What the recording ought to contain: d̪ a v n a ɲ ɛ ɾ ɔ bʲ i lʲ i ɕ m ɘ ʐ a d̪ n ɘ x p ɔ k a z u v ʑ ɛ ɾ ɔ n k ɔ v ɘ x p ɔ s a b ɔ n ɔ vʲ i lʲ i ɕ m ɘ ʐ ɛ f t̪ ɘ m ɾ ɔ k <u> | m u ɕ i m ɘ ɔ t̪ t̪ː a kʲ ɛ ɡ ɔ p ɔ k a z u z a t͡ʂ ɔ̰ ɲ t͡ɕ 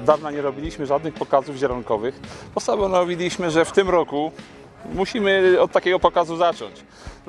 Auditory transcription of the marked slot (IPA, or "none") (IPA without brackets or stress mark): u